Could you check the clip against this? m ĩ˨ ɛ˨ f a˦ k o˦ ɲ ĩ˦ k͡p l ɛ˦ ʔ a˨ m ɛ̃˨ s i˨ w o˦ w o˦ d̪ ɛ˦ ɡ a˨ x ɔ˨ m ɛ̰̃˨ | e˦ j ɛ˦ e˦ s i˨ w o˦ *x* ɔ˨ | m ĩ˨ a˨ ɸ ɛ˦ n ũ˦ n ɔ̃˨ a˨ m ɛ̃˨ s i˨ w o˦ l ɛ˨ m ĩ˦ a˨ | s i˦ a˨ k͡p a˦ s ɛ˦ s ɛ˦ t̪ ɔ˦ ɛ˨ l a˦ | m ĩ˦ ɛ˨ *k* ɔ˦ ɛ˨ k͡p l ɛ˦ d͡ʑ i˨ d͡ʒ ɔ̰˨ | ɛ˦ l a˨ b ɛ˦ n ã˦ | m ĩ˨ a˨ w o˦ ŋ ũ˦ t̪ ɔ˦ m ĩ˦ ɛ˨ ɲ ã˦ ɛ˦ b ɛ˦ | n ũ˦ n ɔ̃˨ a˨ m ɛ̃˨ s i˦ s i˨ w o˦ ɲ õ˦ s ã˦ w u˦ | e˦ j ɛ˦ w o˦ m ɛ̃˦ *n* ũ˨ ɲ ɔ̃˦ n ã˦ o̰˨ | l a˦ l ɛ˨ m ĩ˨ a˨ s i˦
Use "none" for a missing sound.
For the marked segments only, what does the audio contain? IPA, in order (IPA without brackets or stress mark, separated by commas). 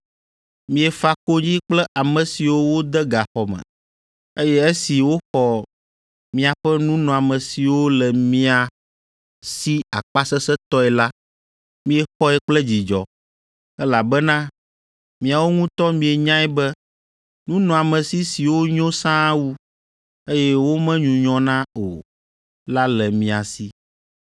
x, x, ɲ